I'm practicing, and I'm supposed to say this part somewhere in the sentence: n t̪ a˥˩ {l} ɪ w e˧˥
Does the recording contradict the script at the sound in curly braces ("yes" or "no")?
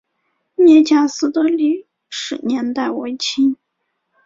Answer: yes